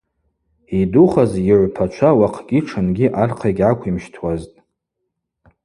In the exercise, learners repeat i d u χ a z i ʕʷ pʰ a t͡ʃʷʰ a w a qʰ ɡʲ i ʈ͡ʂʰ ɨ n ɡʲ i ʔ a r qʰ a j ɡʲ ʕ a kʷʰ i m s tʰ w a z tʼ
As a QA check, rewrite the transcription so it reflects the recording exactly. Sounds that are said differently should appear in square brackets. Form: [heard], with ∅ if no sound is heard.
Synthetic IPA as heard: i d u χ a z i ʕʷ pʰ a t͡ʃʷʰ a w a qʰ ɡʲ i ʈ͡ʂʰ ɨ n ɡʲ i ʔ a r qʰ a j ɡʲ ʕ a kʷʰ i m [ʃ] tʰ w a z tʼ